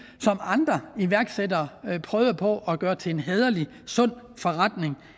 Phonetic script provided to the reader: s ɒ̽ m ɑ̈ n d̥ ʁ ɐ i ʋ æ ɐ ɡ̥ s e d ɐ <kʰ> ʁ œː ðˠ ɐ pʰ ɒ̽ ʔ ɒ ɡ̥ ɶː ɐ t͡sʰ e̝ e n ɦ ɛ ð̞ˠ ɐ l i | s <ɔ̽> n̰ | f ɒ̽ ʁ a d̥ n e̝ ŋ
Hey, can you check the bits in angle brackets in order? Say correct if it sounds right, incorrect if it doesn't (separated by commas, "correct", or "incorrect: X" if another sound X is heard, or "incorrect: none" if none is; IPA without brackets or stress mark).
incorrect: pʰ, correct